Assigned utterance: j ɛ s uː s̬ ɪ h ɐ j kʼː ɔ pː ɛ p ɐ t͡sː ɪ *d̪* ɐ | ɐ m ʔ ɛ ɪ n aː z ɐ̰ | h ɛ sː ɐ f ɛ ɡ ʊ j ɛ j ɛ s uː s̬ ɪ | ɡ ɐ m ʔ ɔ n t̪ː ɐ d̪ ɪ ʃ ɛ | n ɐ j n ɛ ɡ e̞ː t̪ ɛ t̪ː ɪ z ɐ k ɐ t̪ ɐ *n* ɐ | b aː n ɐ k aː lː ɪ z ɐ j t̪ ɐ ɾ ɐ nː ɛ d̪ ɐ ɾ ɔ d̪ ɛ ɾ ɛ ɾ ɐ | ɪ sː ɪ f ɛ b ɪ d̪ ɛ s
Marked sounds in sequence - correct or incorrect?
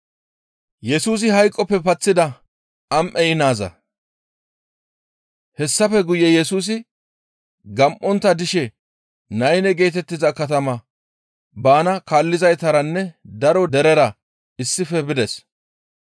correct, incorrect: m

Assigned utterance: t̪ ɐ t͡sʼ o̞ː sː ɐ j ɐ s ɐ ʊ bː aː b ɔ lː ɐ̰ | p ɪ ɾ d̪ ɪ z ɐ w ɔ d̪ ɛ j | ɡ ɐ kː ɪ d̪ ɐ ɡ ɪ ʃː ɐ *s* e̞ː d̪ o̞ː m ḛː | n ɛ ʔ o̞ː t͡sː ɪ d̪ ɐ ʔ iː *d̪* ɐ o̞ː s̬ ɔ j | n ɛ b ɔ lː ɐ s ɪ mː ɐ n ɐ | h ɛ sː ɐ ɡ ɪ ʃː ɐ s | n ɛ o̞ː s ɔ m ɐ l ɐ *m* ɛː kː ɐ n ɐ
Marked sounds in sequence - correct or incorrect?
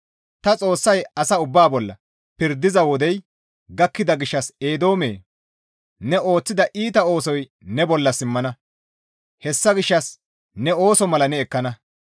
correct, incorrect: t̪, incorrect: n

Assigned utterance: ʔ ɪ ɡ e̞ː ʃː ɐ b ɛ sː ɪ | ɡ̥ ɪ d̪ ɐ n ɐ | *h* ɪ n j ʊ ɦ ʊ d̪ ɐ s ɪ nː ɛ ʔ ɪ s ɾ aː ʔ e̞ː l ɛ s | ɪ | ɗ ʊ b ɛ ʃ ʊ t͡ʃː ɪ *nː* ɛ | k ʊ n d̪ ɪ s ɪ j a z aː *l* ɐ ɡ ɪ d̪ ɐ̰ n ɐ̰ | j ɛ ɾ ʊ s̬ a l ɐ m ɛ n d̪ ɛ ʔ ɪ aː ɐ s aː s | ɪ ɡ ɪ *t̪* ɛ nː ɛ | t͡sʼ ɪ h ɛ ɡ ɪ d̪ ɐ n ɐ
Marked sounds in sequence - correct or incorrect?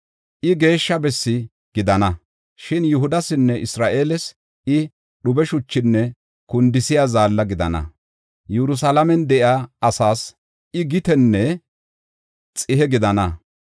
incorrect: ʃ, correct, incorrect: lː, correct

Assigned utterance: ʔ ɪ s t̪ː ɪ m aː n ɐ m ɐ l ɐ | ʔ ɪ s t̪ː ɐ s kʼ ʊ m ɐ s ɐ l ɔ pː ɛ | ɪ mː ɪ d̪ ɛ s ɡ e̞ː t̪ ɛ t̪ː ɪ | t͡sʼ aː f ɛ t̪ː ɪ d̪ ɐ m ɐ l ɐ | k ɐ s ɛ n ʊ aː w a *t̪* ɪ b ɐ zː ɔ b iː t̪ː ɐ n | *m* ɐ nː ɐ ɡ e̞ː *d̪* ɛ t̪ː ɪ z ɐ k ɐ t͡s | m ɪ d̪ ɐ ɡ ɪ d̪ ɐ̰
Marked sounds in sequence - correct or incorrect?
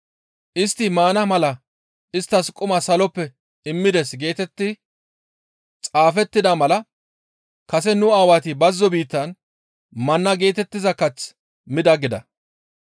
correct, correct, incorrect: t̪

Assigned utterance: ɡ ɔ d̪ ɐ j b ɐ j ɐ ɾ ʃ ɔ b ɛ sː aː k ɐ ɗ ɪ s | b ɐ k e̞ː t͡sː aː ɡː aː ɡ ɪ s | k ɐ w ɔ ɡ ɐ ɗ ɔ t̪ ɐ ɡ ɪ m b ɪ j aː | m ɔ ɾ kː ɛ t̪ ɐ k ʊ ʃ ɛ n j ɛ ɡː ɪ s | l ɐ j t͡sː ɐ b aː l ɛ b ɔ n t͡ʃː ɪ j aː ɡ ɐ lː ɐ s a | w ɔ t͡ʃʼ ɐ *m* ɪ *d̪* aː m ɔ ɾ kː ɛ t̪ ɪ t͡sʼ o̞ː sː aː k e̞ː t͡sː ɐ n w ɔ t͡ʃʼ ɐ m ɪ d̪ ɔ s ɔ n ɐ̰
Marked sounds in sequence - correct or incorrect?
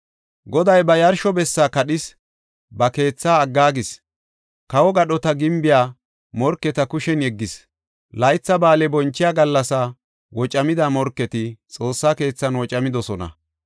correct, correct

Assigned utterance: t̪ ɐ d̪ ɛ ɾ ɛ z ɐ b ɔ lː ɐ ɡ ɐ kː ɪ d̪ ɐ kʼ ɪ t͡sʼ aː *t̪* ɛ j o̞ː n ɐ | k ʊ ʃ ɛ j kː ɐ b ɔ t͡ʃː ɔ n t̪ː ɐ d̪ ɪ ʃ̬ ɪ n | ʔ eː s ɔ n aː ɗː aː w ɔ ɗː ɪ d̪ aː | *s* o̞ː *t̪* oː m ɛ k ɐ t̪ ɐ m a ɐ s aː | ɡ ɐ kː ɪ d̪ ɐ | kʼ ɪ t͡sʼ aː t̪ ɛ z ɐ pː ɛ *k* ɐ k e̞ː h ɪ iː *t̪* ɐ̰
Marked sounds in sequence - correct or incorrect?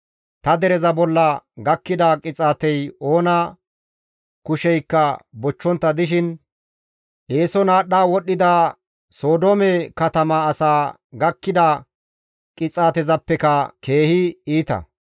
correct, correct, incorrect: d̪, correct, correct

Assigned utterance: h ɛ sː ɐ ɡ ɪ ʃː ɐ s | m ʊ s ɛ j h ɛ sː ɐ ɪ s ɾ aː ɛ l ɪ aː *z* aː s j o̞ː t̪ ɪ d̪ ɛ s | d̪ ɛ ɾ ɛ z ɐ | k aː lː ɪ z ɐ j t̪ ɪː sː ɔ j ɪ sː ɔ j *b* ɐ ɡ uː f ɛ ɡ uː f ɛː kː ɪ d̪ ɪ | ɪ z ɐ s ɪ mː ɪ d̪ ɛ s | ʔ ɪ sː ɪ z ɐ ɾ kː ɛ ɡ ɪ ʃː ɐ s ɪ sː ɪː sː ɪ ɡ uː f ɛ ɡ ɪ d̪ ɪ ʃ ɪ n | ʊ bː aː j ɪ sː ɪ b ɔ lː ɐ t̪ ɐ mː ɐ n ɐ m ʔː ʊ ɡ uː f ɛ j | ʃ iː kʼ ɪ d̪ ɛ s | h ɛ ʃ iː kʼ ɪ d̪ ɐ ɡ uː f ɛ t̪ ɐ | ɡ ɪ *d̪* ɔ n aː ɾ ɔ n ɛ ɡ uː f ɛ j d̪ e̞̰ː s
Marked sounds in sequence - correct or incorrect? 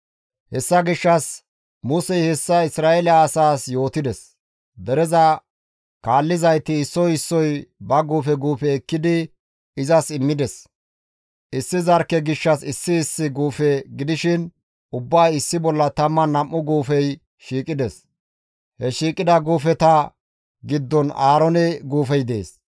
incorrect: s, correct, incorrect: d̪ː

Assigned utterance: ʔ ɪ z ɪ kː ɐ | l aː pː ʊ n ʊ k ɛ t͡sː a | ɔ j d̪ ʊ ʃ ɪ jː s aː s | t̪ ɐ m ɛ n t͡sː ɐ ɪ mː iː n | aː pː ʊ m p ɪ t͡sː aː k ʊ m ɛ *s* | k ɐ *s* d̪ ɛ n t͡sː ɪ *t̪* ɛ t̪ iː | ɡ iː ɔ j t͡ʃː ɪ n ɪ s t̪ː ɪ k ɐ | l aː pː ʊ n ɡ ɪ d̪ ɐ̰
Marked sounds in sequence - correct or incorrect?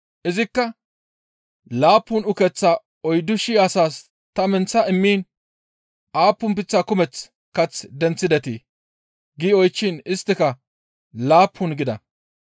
incorrect: t͡s, incorrect: t͡s, incorrect: d̪

